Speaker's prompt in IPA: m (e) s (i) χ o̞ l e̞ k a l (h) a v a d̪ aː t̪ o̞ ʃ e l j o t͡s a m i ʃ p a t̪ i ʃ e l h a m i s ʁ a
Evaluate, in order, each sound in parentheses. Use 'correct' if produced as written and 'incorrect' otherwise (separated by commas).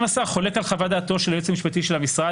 incorrect, incorrect, incorrect